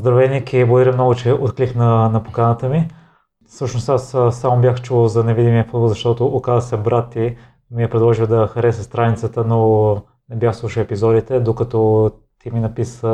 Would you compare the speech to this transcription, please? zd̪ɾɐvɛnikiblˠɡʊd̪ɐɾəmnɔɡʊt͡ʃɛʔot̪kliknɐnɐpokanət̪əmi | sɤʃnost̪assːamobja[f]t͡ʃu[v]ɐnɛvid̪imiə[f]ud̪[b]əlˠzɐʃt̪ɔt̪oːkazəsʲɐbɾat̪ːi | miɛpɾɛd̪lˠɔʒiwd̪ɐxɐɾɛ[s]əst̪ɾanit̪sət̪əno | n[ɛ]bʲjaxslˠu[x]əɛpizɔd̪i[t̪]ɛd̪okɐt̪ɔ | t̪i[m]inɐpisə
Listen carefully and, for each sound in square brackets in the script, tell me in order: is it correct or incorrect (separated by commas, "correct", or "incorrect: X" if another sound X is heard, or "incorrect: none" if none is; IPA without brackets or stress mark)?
incorrect: x, incorrect: z, correct, correct, correct, correct, incorrect: ʃ, correct, correct